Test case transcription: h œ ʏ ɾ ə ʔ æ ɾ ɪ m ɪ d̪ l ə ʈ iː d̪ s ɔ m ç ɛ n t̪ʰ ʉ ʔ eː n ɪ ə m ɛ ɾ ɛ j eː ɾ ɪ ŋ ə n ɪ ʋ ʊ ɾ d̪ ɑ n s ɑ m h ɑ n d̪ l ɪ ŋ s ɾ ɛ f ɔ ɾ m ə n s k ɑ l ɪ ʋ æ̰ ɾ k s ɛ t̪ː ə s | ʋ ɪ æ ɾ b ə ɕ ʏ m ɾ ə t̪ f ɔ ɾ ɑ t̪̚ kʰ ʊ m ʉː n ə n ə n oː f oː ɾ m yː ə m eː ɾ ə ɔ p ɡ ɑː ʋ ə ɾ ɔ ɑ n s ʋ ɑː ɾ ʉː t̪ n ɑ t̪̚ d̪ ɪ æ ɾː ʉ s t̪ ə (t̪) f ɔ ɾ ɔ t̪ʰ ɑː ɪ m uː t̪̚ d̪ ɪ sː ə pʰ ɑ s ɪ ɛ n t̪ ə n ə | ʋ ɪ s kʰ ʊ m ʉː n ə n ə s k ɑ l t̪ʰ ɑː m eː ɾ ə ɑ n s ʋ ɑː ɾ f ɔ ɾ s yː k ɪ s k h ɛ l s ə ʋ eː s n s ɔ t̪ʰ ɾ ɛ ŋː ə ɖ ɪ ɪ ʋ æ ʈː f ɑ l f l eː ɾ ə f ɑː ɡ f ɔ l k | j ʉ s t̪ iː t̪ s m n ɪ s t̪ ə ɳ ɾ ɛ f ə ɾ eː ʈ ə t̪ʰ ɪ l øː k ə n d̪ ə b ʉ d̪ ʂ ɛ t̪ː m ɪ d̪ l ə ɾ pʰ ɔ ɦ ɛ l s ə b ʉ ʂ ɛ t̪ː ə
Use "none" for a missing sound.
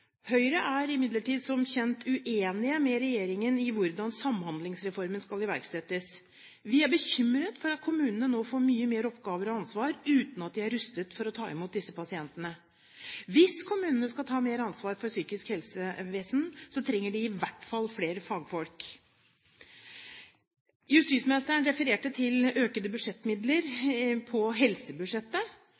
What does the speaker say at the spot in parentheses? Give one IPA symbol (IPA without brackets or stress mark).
t̪